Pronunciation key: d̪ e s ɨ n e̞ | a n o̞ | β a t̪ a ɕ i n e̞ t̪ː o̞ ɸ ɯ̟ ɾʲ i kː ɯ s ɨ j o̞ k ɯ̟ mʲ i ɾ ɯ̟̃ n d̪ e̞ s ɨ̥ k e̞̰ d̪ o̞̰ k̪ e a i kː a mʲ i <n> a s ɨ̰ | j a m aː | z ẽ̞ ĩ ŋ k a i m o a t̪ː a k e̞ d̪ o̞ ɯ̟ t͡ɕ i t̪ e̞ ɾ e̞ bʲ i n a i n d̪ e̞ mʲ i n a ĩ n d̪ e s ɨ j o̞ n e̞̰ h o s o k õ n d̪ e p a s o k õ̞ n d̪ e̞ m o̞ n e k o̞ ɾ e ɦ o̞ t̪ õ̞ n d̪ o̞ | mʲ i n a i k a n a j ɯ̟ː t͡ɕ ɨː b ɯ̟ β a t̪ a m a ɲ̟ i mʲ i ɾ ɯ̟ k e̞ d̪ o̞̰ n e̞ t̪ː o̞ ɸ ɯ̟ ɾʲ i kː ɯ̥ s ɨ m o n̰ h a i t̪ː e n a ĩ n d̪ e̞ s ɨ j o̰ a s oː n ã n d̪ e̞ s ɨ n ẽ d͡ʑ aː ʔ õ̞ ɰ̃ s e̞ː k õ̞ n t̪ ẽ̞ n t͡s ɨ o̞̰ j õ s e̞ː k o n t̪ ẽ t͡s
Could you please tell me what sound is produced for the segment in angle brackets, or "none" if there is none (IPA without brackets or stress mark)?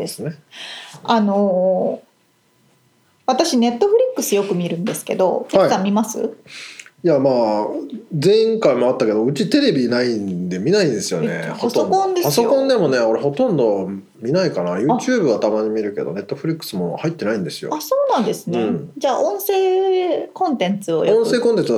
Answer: m